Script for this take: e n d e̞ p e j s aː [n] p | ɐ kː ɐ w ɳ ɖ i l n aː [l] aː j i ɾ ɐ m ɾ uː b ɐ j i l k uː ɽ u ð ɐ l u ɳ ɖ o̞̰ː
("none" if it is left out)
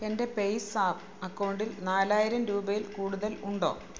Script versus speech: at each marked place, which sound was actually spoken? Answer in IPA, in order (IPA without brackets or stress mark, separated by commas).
none, l